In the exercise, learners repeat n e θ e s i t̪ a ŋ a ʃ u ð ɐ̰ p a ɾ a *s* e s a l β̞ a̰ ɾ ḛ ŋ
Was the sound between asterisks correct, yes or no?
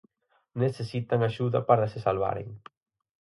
yes